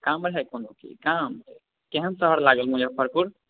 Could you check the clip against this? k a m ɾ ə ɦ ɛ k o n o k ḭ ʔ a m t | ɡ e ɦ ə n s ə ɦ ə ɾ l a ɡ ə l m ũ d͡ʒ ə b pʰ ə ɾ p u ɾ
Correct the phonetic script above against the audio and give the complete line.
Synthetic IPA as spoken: k a m ɾ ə ɦ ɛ k o n o k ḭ k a m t | k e ɦ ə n s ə ɦ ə ɾ l a ɡ ə l m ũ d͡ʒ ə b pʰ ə ɾ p u ɾ